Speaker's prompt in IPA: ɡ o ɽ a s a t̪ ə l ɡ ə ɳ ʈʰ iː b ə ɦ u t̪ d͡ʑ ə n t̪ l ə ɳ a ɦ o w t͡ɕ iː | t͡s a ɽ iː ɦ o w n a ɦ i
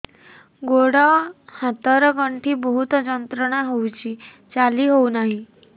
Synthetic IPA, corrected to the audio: ɡ o ɽ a h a t̪ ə ɾ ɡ ə ɳ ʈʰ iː b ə ɦ u t̪ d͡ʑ ə n t̪ ɾ ə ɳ a ɦ o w t͡ɕ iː | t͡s a l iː ɦ o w n a ɦ i